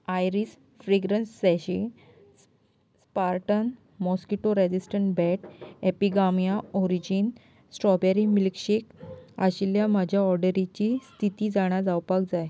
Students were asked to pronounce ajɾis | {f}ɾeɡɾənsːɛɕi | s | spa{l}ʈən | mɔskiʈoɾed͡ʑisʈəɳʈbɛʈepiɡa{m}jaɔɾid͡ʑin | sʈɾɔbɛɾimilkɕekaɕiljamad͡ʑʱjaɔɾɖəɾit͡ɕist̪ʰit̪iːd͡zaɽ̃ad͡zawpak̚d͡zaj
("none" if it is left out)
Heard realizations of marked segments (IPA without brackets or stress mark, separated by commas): f, ɾ, m